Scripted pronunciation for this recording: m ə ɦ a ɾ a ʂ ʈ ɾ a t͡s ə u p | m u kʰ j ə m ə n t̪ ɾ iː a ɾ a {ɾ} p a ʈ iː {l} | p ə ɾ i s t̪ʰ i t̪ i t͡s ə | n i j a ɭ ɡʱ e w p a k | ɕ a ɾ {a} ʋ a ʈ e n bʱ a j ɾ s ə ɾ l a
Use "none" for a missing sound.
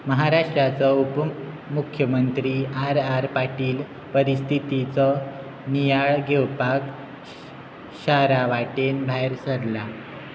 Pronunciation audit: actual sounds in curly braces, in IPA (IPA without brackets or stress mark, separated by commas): ɾ, l, a